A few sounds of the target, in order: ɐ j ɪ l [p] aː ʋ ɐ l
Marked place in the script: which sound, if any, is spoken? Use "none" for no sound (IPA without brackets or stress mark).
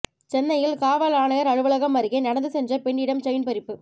k